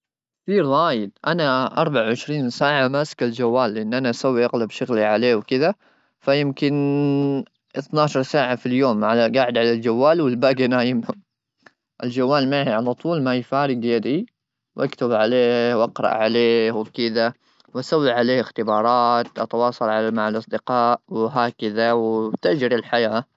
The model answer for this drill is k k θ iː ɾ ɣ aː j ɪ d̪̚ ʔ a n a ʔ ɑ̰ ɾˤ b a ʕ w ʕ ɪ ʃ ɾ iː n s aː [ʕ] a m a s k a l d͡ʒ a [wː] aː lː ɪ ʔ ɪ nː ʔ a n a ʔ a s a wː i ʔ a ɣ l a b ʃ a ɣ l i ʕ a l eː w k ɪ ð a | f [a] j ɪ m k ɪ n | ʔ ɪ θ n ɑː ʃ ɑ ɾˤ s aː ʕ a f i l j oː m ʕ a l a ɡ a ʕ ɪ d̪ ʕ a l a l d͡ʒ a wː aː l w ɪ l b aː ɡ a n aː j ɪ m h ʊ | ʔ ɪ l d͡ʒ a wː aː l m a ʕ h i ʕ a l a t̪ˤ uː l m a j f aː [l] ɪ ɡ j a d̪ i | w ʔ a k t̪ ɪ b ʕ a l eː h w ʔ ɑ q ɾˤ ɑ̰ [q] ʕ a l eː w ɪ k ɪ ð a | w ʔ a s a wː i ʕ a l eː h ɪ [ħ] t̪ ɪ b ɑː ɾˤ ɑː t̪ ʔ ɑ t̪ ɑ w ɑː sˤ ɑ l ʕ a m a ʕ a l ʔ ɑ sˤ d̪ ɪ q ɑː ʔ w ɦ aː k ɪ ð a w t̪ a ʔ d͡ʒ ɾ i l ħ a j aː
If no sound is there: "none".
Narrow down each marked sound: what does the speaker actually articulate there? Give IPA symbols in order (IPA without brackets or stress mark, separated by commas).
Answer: ʕ, wː, a, ɾ, ʔ, x